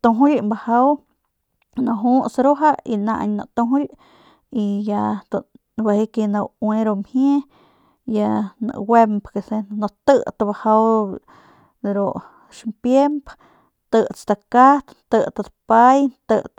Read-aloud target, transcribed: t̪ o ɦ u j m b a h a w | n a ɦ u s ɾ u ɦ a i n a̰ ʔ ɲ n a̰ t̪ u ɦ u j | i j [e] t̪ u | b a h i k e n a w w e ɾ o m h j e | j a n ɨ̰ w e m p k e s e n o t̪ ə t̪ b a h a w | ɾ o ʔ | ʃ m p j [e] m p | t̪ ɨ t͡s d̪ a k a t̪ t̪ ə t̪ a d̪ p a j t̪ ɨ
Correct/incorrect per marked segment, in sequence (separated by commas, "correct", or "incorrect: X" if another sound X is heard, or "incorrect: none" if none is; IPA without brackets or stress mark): incorrect: a, correct